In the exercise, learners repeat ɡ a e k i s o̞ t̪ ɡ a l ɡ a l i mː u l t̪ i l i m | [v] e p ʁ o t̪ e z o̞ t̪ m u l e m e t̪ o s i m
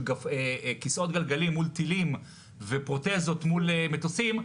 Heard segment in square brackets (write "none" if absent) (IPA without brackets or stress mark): v